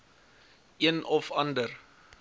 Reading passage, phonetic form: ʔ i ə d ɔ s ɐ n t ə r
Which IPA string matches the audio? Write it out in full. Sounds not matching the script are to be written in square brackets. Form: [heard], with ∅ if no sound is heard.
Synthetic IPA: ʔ i ə [n] ɔ [f] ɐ n [d] ə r